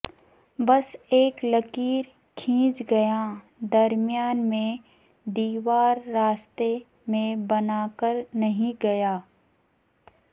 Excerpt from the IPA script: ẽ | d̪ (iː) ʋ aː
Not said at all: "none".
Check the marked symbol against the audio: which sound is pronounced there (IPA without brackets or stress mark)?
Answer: iː